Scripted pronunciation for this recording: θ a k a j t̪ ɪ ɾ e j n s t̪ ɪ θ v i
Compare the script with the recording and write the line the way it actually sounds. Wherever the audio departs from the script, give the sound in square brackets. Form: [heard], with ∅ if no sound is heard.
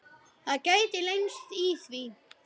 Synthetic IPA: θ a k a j t̪ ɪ [l] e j n s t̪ [i] θ v i

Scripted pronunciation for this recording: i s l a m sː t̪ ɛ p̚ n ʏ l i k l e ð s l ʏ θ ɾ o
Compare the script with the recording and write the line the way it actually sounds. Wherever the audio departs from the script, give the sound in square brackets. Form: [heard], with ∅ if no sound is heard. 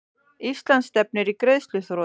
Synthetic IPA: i s l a [n] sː t̪ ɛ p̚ n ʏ [ɾ] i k [ɾ] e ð s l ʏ θ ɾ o

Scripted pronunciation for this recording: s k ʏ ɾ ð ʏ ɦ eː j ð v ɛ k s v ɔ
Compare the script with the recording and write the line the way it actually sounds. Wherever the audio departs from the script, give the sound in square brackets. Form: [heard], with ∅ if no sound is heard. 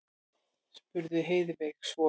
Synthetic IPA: s [p] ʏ ɾ ð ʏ ɦ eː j ð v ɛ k s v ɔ

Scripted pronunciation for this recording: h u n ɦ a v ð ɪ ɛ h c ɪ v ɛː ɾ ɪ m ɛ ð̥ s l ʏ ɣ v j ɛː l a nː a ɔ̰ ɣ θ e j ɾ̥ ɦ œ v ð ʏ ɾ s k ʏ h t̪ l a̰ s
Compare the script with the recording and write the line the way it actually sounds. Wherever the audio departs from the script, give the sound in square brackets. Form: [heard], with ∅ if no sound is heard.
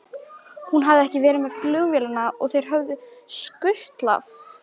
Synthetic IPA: h u n ɦ a v ð ɪ ɛ h c ɪ v ɛː ɾ ɪ m ɛ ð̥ [f] l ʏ ɣ v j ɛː l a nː a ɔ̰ ɣ θ e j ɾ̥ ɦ œ v ð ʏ [∅] s k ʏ h t̪ l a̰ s

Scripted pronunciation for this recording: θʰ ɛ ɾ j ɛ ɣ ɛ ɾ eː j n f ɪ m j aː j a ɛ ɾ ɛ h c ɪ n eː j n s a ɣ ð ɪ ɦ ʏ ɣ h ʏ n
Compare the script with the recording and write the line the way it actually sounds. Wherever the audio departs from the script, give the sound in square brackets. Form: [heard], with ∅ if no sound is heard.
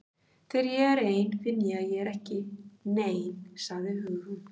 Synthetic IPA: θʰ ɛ ɾ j ɛ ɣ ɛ ɾ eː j n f ɪ [n] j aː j [ɛ] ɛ ɾ ɛ h c ɪ n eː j n s a ɣ ð ɪ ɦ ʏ ɣ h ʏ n

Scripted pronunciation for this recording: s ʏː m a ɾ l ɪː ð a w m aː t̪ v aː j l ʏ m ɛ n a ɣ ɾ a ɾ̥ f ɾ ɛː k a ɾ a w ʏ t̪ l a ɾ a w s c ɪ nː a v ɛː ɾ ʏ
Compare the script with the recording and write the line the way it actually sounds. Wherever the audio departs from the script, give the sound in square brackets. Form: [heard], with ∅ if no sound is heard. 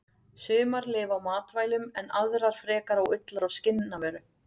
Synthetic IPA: s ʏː m a ɾ l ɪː [v] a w m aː t̪ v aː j l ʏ m ɛ n a [ð] ɾ a ɾ̥ f ɾ ɛː k a ɾ a w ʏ t̪ l a ɾ a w s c ɪ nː a v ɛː ɾ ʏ

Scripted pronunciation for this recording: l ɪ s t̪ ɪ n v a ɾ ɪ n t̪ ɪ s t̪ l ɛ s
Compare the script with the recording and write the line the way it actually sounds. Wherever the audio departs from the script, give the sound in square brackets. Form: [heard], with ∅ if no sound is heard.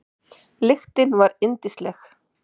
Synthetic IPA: l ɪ [x] t̪ ɪ n v a ɾ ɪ n t̪ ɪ s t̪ l ɛ [x]

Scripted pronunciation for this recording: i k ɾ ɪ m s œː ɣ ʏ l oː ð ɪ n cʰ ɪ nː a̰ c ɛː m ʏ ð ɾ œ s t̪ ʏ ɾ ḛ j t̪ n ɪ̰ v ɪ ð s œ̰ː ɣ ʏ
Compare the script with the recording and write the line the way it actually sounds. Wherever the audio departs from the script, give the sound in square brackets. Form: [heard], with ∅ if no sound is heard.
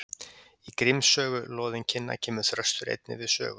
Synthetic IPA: i k ɾ ɪ m s œː ɣ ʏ l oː ð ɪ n cʰ ɪ nː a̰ [cʰ] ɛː m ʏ [θ] ɾ œ s t̪ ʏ ɾ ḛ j t̪ n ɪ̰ v ɪ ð s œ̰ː ɣ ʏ

